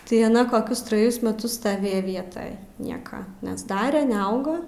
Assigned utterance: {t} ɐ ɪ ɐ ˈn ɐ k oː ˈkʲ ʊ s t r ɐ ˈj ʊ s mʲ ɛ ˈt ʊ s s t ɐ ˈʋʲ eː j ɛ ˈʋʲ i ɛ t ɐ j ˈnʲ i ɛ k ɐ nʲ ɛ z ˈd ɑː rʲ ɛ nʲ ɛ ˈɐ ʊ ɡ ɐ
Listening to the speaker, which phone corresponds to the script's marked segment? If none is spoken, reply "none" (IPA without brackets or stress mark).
t